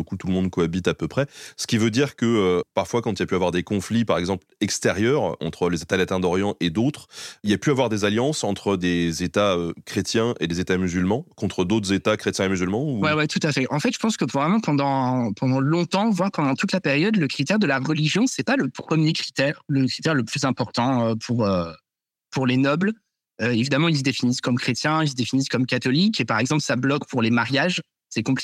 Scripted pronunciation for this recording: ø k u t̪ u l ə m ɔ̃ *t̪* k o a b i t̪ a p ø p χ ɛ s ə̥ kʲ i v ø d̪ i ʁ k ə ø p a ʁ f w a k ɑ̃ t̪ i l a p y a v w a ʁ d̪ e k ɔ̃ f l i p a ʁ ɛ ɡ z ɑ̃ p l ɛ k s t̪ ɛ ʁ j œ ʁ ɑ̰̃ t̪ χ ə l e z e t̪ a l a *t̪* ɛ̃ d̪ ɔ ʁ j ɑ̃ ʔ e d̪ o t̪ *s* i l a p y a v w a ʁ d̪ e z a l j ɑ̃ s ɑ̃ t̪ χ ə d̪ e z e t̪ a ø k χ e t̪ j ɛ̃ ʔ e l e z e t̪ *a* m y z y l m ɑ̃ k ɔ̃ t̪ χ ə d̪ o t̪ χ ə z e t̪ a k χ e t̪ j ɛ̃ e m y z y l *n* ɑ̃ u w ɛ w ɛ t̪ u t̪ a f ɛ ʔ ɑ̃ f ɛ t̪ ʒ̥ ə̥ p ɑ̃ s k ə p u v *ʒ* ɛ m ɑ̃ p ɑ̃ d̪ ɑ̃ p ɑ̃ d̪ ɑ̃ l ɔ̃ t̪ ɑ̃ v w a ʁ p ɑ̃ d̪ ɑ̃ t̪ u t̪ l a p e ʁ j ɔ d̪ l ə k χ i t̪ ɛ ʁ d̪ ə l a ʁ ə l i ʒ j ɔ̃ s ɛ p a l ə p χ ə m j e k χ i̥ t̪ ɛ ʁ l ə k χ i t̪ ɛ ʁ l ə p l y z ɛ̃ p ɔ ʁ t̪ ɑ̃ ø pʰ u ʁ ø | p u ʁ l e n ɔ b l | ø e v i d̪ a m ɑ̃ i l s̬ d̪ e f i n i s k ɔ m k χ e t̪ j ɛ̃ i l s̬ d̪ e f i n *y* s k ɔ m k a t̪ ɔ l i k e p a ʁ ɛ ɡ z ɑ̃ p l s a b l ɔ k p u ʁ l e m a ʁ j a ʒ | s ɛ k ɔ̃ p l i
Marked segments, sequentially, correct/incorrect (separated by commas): incorrect, correct, incorrect, correct, incorrect, incorrect, incorrect